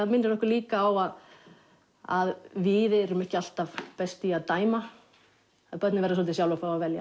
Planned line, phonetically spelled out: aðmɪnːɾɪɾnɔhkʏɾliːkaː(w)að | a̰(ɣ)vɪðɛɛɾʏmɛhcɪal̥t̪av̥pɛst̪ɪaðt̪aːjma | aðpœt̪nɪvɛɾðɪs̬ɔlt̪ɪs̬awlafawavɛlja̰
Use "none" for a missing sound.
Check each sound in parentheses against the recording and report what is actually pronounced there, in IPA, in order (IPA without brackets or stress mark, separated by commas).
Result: w, ð